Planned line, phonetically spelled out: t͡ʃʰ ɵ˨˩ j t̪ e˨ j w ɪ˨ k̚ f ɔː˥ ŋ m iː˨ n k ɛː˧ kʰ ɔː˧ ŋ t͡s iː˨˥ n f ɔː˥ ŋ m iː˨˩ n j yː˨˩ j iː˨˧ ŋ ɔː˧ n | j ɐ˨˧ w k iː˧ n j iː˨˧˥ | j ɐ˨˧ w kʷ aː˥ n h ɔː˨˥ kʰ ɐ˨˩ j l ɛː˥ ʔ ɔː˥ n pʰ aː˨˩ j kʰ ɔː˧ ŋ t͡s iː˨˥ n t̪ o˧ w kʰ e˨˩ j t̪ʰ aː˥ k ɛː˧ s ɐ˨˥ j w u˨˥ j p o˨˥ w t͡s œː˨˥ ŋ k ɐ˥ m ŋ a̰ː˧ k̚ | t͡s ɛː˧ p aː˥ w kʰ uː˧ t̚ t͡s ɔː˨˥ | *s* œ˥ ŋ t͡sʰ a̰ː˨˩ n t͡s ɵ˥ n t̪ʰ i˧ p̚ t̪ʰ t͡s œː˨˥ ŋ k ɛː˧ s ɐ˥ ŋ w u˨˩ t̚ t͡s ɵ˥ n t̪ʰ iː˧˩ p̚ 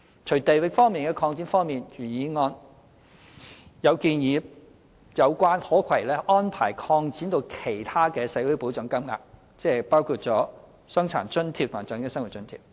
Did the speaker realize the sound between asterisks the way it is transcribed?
yes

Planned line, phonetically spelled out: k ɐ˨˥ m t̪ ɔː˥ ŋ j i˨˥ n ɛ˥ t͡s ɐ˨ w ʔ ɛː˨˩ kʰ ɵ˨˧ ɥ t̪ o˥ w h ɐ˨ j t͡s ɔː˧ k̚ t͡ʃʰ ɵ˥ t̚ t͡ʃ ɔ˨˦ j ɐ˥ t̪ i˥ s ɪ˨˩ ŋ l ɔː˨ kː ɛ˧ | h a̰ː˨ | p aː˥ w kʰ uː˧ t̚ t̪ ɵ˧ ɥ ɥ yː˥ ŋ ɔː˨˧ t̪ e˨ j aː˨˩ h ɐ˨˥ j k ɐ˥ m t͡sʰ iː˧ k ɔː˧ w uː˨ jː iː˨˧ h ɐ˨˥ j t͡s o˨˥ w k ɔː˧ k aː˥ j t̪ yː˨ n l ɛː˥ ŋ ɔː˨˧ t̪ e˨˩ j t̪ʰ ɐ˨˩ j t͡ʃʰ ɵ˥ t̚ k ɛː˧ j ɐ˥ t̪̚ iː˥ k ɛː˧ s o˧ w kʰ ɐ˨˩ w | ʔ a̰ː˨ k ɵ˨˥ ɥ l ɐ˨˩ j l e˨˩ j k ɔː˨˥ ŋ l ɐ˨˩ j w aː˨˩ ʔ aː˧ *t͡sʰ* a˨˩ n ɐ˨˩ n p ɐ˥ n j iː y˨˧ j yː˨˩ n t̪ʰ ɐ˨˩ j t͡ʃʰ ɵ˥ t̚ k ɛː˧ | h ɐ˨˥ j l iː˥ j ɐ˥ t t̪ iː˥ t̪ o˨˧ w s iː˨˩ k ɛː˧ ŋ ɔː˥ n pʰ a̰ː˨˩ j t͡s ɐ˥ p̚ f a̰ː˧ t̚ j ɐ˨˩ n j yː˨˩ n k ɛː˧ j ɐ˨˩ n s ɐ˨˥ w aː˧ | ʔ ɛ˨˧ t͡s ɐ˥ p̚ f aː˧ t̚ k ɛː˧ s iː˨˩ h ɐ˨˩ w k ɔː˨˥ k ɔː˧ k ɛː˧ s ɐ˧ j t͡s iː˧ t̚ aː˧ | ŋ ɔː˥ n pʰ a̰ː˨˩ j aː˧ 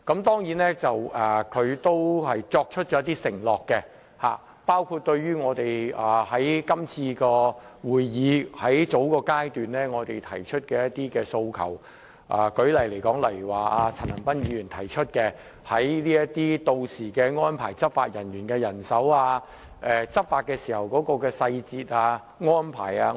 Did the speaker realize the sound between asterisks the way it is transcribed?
yes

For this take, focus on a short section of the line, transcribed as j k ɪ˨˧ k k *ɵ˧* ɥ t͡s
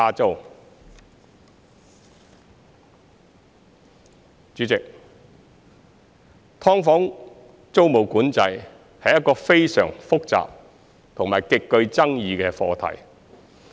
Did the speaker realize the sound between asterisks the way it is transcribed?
yes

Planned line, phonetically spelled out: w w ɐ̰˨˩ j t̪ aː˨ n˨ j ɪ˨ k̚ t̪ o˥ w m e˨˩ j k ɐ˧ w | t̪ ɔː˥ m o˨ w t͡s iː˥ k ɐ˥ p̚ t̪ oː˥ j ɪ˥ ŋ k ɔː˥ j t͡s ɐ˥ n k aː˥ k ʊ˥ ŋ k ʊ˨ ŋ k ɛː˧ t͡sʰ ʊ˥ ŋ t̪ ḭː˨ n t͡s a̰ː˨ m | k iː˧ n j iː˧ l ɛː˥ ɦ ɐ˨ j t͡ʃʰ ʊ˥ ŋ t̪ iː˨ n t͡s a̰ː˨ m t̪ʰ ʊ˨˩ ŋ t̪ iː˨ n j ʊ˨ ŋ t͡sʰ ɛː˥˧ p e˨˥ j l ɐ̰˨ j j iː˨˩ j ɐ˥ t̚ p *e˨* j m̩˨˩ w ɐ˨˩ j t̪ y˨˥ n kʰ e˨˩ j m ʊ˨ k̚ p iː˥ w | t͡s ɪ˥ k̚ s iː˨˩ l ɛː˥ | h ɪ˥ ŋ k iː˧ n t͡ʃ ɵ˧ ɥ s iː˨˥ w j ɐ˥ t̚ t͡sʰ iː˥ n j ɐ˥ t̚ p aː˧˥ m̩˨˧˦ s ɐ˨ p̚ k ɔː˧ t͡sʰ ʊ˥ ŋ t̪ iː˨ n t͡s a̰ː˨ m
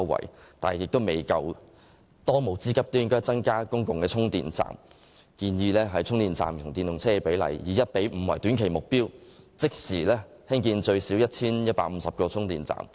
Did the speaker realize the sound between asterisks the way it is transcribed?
no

